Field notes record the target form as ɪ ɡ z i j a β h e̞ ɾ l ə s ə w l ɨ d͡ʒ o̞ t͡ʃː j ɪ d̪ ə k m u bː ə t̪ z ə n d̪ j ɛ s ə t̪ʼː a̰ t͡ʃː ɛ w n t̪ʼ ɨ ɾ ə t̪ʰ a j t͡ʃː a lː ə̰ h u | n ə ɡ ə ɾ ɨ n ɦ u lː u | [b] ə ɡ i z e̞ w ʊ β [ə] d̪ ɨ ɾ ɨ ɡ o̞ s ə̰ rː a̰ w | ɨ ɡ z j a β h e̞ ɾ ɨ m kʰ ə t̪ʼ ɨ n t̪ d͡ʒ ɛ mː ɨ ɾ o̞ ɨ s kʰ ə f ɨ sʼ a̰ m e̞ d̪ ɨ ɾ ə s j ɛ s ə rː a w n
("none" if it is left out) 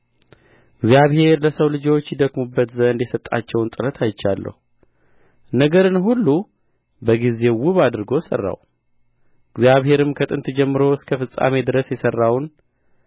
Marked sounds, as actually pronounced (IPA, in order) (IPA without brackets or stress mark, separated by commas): b, a